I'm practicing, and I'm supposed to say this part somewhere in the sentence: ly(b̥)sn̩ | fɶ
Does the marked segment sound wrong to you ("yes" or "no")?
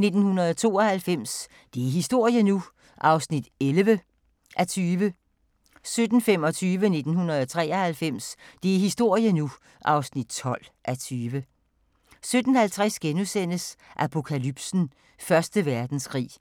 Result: no